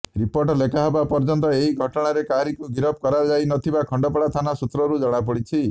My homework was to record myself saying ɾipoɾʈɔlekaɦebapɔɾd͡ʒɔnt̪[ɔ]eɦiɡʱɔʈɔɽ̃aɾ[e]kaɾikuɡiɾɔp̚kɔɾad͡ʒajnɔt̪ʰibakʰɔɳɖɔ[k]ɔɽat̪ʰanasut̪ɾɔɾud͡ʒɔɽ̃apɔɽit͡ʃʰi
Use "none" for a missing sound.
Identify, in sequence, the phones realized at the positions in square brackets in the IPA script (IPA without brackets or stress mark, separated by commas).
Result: ɔ, e, p